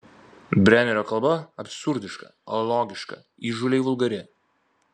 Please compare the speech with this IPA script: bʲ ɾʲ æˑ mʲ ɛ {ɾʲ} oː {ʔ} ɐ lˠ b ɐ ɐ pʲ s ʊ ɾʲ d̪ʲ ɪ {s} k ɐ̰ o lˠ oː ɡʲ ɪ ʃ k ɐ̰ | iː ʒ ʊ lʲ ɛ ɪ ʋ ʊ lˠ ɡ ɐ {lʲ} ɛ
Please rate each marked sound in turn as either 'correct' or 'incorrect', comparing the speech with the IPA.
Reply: correct, incorrect: k, incorrect: ʃ, incorrect: ɾʲ

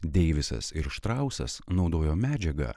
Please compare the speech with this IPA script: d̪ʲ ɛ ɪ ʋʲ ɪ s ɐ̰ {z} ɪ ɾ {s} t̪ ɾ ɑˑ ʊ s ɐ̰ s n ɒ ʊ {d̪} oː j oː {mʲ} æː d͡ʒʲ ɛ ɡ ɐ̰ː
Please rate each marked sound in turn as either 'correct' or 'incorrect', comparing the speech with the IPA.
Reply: incorrect: s, incorrect: ʃ, correct, correct

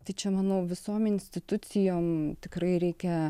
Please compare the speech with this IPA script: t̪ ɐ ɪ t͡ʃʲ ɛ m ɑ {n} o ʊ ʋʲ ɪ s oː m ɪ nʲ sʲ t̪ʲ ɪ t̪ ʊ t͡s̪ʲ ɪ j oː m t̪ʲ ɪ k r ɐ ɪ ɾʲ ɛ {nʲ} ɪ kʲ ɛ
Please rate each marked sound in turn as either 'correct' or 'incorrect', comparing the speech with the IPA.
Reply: correct, incorrect: none

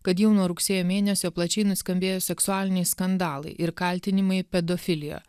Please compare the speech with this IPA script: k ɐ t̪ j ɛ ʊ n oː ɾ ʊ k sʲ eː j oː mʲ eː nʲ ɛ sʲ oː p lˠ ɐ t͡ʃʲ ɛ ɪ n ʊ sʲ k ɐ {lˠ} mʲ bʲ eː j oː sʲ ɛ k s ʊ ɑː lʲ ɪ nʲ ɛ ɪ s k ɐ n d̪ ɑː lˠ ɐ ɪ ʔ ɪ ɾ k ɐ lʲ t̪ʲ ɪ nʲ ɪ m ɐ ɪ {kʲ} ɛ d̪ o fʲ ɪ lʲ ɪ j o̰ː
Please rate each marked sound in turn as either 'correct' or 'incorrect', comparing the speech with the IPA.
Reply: incorrect: none, incorrect: pʲ

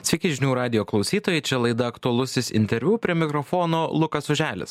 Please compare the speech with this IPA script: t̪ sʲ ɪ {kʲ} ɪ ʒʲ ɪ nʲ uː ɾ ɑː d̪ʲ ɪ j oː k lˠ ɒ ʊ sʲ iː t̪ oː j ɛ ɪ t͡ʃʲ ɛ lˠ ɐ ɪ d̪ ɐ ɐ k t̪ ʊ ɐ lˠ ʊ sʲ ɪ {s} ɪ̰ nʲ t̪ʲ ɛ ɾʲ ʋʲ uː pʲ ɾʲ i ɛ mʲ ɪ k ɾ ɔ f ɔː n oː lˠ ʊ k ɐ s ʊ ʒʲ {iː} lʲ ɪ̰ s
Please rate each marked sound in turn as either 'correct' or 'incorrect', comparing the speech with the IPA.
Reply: correct, correct, incorrect: æː

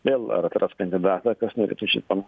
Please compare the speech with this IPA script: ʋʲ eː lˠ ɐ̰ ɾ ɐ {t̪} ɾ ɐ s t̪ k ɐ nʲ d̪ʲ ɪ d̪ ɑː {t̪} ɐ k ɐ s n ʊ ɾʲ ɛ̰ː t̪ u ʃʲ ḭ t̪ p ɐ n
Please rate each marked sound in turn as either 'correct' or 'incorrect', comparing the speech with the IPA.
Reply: correct, correct

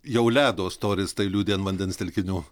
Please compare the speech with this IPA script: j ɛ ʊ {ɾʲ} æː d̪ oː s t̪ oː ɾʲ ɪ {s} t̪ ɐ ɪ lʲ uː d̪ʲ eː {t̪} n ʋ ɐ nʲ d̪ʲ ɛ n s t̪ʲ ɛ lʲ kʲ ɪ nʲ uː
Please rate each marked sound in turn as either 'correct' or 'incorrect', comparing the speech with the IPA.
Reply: incorrect: lʲ, correct, incorrect: none

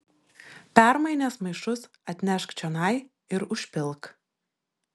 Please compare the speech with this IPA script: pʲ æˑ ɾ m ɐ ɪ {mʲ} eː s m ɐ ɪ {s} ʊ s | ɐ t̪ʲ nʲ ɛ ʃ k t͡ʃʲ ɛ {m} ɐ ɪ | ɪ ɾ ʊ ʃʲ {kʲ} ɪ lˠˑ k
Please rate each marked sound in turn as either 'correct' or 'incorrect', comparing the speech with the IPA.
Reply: incorrect: nʲ, incorrect: ʃ, incorrect: n, incorrect: pʲ

